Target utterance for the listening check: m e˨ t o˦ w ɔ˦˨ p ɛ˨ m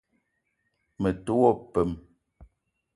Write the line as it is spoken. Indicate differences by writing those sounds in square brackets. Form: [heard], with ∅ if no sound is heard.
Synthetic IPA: m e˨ t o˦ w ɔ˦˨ p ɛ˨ m

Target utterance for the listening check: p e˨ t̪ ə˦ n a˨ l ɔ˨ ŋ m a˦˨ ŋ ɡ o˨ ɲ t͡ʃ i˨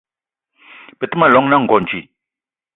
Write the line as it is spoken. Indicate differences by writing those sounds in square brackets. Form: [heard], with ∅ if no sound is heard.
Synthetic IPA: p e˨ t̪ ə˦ [m] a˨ l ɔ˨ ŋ [n] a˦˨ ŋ ɡ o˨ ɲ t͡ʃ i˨

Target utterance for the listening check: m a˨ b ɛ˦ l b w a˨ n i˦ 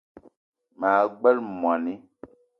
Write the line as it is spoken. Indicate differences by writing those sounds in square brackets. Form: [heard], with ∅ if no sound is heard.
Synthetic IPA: m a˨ [ɡ͡b] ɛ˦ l [m] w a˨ n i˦

